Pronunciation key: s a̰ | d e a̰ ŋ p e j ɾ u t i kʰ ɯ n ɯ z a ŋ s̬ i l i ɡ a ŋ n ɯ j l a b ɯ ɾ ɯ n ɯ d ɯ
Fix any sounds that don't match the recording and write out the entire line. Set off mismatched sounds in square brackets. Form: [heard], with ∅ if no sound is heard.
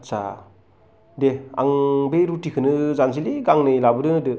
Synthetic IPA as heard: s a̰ | d e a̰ ŋ [b] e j ɾ u t i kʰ ɯ n ɯ z a [n] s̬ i l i ɡ a ŋ n ɯ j l a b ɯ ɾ ɯ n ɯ d ɯ